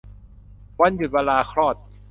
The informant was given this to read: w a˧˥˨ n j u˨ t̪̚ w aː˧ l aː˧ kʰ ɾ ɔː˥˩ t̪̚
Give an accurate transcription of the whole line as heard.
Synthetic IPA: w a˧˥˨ n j u˨ t̪̚ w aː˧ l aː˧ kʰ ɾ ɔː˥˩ t̪̚